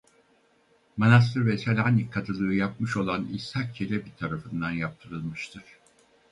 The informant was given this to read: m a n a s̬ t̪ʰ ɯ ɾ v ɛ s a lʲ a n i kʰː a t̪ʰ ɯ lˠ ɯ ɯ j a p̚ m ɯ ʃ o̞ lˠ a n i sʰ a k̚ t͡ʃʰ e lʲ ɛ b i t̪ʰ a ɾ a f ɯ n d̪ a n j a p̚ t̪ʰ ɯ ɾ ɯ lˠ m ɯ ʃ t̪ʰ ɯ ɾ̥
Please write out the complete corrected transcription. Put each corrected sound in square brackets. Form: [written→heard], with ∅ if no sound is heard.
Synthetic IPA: m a n a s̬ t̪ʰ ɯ ɾ v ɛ s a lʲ a n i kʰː a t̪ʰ ɯ lˠ ɯ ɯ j a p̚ m ɯ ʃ o̞ lˠ a n i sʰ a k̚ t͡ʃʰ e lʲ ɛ b i t̪ʰ a ɾ a f ɯ n d̪ a n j a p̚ t̪ʰ ɯ ɾ ɯ lˠ m ɯ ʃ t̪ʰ ɯ ɾ̥

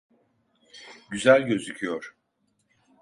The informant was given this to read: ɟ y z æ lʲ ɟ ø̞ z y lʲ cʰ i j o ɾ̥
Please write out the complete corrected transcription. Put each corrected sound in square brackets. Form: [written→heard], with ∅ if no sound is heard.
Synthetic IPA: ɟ y z æ lʲ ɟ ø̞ z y [lʲ→∅] cʰ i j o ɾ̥

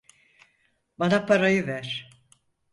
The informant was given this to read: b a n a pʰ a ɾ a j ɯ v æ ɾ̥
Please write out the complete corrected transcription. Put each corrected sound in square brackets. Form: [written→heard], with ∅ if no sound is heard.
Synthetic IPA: b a n a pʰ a ɾ a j ɯ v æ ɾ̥

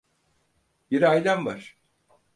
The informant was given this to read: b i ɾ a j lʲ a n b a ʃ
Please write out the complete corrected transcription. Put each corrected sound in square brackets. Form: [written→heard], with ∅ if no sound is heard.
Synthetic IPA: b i ɾ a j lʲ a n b a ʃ

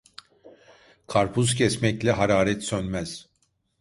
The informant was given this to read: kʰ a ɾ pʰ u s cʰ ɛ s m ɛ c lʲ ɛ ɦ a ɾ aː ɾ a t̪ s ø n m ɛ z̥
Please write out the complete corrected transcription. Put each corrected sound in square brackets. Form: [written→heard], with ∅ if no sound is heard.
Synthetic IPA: kʰ a ɾ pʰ u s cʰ ɛ s m ɛ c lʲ ɛ ɦ a ɾ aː ɾ [a→ɛ] t̪ s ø n m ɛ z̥

